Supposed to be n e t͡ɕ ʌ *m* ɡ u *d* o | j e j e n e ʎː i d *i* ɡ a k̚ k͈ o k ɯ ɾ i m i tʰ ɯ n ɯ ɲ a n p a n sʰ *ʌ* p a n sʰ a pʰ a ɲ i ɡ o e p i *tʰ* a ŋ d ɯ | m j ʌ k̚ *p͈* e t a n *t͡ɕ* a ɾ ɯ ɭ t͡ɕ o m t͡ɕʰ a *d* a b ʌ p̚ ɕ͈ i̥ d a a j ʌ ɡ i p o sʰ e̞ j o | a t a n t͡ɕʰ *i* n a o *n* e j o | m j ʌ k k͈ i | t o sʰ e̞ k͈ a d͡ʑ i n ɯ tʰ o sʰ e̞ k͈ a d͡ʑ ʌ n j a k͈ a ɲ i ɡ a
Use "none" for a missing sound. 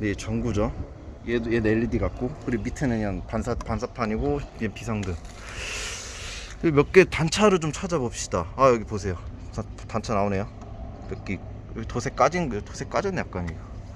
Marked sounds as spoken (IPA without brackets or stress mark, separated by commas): ŋ, d͡ʑ, i, a, sʰ, k͈, t͡ɕʰ, d͡ʑ, a, n